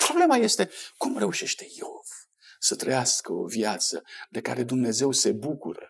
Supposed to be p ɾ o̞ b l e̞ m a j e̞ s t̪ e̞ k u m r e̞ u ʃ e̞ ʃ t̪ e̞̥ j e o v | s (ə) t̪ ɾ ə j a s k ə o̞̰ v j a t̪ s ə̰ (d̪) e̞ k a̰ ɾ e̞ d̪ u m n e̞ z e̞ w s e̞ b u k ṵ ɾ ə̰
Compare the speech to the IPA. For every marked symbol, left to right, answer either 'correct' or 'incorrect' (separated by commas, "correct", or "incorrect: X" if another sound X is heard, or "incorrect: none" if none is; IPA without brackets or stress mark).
correct, correct